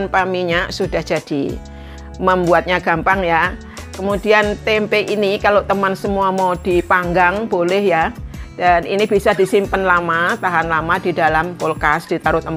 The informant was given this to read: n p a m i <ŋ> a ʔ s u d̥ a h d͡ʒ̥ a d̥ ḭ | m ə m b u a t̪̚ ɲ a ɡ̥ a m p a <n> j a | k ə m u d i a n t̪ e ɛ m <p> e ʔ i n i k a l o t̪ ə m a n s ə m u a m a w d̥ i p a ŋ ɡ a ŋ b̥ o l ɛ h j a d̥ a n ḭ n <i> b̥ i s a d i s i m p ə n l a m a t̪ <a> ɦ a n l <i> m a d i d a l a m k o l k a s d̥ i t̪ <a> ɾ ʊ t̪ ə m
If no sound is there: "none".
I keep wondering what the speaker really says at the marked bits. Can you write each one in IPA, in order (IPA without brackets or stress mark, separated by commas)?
ɲ, ŋ, p, i, a, a, a